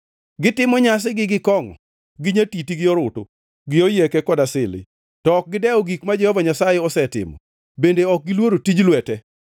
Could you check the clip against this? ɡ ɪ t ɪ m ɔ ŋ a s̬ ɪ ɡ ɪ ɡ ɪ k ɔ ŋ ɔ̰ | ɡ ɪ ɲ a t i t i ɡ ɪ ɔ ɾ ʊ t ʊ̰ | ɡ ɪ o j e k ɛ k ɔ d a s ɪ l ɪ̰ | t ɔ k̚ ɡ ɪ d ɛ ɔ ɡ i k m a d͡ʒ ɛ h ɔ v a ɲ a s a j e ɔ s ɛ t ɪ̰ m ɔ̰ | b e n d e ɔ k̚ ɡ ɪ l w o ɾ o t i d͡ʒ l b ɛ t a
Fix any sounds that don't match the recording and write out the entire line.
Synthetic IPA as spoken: ɡ ɪ t ɪ m ɔ ɲ a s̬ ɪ ɡ ɪ ɡ ɪ k ɔ ŋ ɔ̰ | ɡ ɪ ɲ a t i t i ɡ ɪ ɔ ɾ ʊ t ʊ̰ | ɡ ɪ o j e k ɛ k ɔ d a s ɪ l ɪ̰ | t ɔ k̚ ɡ ɪ d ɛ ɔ ɡ i k m a d͡ʒ ɛ h ɔ v a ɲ a s a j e ɔ s ɛ t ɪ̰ m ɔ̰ | b e n d e ɔ k̚ ɡ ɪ l w o ɾ o t i d͡ʒ l w ɛ t ɛ